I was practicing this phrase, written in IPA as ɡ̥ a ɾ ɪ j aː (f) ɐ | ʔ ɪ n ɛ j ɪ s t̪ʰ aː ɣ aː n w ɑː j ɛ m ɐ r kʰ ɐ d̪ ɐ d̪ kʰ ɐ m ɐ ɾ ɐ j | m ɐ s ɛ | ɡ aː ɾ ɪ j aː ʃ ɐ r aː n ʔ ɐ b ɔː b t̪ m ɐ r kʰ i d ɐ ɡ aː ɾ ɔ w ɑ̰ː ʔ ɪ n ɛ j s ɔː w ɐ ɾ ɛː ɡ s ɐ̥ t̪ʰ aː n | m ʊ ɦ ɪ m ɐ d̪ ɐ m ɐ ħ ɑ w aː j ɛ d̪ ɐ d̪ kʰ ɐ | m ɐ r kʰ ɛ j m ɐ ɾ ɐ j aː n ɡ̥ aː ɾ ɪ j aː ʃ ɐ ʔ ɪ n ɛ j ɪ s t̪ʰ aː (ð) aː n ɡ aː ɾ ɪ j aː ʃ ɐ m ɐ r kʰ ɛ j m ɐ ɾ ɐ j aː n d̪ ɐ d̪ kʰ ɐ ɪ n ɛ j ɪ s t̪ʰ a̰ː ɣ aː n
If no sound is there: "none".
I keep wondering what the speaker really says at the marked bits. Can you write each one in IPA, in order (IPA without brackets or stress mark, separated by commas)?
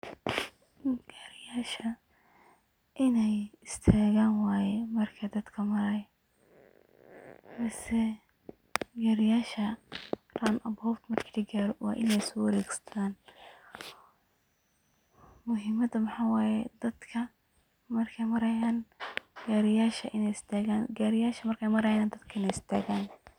ʃ, ɣ